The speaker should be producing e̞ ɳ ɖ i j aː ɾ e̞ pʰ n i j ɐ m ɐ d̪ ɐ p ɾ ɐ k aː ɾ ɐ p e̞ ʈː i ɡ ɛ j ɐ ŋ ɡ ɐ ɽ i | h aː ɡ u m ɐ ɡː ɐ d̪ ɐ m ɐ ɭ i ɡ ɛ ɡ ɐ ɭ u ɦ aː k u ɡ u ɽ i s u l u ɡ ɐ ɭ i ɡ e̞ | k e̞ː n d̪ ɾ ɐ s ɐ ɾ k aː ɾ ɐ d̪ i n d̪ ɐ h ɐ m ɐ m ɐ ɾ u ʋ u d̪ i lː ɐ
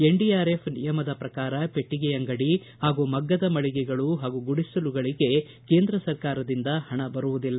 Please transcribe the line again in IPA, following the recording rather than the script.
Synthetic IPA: e̞ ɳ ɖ i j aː ɾ e̞ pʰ n i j ɐ m ɐ d̪ ɐ p ɾ ɐ k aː ɾ ɐ p e̞ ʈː i ɡ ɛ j ɐ ŋ ɡ ɐ ɽ i | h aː ɡ u m ɐ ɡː ɐ d̪ ɐ m ɐ ɭ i ɡ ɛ ɡ ɐ ɭ u ɦ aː ɡ u ɡ u ɽ i s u l u ɡ ɐ ɭ i ɡ e̞ | k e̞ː n d̪ ɾ ɐ s ɐ ɾ k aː ɾ ɐ d̪ i n d̪ ɐ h ɐ ɳ ɐ b ɐ ɾ u ʋ u d̪ i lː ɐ